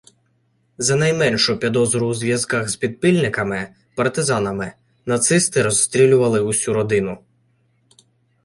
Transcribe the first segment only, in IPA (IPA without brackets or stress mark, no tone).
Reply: z